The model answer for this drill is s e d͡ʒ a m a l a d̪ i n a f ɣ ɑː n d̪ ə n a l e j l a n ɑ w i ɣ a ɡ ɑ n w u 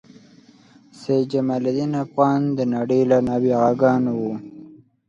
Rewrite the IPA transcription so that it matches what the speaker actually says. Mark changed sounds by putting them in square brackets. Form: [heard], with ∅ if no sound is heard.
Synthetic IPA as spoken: s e d͡ʒ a m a l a d̪ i n a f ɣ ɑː n d̪ ə n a [ɽ] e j l a n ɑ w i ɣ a ɡ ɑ n w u